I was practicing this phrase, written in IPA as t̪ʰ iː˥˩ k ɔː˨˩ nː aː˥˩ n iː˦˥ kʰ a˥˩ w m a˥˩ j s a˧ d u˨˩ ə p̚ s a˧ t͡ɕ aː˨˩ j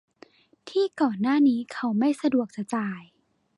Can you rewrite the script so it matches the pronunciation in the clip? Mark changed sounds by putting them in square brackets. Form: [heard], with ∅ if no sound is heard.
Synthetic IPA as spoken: t̪ʰ iː˥˩ k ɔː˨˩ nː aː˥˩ n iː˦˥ kʰ [a˦˥] w m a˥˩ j s a˧ d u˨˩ ə [k̚] s a˧ t͡ɕ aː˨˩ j

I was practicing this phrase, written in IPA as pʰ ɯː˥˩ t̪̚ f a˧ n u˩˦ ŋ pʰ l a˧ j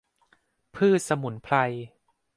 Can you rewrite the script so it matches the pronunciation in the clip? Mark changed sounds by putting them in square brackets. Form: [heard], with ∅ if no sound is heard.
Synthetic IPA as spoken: pʰ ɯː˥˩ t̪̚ [s] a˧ [m] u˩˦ [n] pʰ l a˧ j

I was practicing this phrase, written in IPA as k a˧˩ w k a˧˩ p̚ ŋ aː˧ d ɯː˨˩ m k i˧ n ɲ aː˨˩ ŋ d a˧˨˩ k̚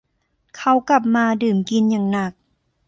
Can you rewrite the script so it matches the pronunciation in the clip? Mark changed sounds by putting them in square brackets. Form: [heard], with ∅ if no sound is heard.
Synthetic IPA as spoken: [kʰ] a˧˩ w k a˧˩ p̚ [m] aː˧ d ɯː˨˩ m k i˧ n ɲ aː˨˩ ŋ [n] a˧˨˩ k̚

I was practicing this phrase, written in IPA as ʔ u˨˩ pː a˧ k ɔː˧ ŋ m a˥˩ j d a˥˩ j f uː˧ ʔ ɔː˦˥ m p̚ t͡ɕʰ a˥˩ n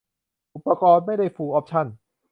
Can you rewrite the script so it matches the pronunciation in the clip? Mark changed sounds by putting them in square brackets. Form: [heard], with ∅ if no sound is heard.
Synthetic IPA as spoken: ʔ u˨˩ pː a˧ k ɔː˧ [n] m a˥˩ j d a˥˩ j f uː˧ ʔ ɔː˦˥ [∅] p̚ t͡ɕʰ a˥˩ n

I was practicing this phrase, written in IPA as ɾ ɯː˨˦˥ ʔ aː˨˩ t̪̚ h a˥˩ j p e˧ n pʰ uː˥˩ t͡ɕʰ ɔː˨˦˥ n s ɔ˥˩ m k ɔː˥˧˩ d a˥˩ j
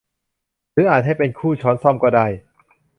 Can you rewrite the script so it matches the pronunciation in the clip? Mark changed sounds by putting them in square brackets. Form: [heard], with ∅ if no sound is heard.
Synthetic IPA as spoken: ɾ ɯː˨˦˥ ʔ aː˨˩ t̪̚ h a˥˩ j p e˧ n [kʰ] uː˥˩ t͡ɕʰ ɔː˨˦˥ n s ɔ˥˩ m k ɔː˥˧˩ d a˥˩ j

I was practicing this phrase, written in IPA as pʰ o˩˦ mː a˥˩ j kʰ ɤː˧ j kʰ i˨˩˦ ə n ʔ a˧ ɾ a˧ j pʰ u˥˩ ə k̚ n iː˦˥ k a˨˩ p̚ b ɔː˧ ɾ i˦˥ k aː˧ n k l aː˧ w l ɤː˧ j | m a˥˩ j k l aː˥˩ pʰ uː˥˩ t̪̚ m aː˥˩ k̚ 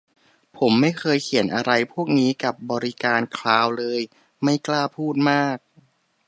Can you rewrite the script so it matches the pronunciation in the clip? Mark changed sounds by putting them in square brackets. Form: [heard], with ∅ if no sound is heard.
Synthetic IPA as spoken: pʰ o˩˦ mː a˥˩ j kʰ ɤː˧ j kʰ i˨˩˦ ə n ʔ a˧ ɾ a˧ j pʰ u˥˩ ə k̚ n iː˦˥ k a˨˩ p̚ b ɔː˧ ɾ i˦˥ k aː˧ n [kʰ] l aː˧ w l ɤː˧ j | m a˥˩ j k l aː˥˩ pʰ uː˥˩ t̪̚ m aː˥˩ k̚

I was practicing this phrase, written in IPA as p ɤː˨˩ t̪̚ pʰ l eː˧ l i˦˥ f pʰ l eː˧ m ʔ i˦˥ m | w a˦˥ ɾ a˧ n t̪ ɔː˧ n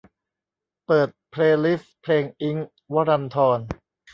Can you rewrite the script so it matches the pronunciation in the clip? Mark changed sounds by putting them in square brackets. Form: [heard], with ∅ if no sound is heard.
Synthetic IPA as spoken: p ɤː˨˩ t̪̚ pʰ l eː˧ l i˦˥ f pʰ l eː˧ [ŋ] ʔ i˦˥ [ŋ] | w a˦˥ ɾ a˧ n [t̪ʰ] ɔː˧ n

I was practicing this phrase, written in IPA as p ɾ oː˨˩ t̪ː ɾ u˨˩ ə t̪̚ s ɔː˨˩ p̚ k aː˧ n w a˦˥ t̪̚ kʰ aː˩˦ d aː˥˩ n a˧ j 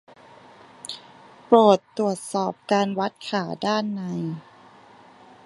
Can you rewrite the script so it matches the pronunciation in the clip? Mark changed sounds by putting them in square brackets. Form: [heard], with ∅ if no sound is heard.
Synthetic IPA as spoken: p ɾ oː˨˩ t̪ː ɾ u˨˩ ə t̪̚ s ɔː˨˩ p̚ k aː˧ n w a˦˥ t̪̚ kʰ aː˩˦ d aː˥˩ [nː] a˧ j

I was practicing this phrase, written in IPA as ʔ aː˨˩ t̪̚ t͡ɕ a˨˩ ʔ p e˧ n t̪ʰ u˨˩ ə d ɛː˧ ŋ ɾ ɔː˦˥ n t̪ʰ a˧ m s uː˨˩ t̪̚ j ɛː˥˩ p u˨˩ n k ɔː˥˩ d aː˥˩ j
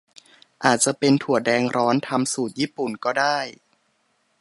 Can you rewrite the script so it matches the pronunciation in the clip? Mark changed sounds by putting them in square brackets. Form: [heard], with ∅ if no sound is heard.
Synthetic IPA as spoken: ʔ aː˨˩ t̪̚ t͡ɕ a˨˩ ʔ p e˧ n t̪ʰ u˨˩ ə d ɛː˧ ŋ ɾ ɔː˦˥ n t̪ʰ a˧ m s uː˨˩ t̪̚ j [iː˥˩] p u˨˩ n k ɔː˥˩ d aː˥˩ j

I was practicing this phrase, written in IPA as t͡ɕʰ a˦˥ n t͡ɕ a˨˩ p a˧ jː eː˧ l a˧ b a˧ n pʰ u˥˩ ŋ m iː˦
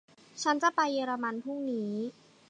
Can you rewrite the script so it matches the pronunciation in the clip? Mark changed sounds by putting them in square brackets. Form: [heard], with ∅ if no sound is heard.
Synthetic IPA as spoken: t͡ɕʰ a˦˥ n t͡ɕ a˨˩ p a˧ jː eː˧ [ɾ] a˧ [m] a˧ n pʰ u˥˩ ŋ [n] iː˦

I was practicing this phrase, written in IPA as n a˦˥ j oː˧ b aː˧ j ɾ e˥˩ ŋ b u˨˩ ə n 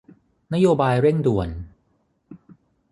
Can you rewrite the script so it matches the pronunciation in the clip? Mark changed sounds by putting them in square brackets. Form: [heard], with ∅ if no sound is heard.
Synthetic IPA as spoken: n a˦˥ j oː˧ b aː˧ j ɾ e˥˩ ŋ [d] u˨˩ ə n

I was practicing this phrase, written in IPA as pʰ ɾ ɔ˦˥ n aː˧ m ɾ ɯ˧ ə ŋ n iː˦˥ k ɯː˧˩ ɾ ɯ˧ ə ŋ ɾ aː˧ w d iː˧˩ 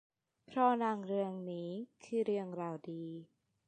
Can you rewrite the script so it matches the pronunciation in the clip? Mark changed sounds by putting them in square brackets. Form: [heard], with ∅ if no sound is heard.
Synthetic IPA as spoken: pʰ ɾ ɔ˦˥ n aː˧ [ŋ] ɾ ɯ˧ ə ŋ n iː˦˥ [kʰ] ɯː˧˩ ɾ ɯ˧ ə ŋ ɾ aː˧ w d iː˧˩

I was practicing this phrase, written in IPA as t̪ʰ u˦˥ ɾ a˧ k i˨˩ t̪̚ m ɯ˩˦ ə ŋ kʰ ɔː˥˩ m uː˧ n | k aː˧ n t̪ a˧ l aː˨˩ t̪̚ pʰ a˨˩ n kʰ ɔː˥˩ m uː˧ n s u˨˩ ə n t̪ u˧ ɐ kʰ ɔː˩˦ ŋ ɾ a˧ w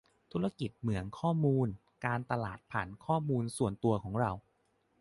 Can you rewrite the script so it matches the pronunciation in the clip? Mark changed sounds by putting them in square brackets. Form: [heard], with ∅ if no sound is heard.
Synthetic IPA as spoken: t̪ʰ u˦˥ ɾ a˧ k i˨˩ t̪̚ m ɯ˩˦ ə ŋ kʰ ɔː˥˩ m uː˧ n | k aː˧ n t̪ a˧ l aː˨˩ t̪̚ pʰ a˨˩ n kʰ ɔː˥˩ m uː˧ n s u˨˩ ə n t̪ u˧ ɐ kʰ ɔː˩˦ ŋ ɾ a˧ w

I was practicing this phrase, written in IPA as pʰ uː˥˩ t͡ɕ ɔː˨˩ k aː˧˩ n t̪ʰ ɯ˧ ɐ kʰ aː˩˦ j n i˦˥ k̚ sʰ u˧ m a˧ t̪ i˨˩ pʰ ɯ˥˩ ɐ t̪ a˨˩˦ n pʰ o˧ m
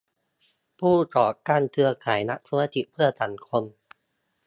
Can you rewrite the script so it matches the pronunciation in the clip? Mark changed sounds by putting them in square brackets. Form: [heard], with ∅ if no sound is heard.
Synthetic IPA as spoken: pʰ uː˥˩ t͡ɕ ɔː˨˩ k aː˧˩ n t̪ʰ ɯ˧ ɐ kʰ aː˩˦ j n [a˦˥] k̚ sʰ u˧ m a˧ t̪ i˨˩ pʰ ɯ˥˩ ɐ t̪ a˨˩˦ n [kʰ] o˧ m

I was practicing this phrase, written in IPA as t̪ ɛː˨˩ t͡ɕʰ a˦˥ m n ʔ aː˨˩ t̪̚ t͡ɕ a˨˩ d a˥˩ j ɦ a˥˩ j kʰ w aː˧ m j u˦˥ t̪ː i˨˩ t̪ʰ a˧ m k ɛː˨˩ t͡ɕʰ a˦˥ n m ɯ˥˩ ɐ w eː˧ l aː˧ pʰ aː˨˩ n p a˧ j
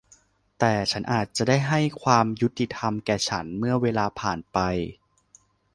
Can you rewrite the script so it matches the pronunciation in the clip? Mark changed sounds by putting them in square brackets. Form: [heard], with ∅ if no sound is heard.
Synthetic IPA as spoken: t̪ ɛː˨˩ t͡ɕʰ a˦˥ [∅] n ʔ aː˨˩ t̪̚ t͡ɕ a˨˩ d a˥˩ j ɦ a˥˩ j kʰ w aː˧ m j u˦˥ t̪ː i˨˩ t̪ʰ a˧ m k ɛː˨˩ t͡ɕʰ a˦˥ n m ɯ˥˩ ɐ w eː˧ l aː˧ pʰ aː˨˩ n p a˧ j

